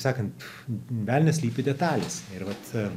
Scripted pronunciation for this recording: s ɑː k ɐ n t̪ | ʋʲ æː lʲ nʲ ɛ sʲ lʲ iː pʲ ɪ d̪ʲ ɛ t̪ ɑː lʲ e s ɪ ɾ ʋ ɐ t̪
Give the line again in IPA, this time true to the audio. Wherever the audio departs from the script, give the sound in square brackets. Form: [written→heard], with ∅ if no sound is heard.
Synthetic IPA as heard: s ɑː k ɐ n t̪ | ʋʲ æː lʲ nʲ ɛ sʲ lʲ iː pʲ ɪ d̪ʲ ɛ t̪ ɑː lʲ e s ɪ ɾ ʋ ɐ t̪